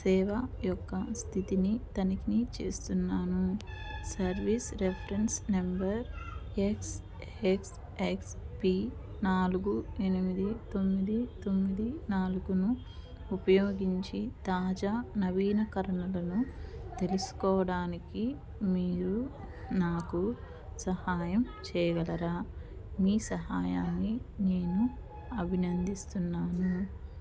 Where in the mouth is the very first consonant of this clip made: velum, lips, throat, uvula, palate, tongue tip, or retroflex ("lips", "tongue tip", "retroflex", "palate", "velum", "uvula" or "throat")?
tongue tip